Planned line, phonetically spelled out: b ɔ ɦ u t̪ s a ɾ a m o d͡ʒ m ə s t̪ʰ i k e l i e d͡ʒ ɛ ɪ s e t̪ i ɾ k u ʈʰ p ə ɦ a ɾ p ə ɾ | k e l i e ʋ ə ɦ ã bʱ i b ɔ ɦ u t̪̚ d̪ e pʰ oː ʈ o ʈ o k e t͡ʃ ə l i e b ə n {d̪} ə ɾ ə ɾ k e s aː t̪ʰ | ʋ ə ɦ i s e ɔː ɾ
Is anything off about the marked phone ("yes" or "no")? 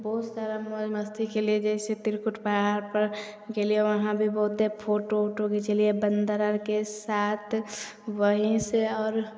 no